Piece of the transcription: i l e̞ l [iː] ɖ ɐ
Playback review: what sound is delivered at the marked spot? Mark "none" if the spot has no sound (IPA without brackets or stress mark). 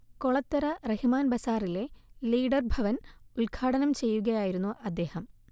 iː